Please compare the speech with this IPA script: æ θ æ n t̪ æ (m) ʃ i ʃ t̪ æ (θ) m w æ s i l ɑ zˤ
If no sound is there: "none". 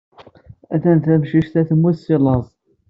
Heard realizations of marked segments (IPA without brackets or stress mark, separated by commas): m, θ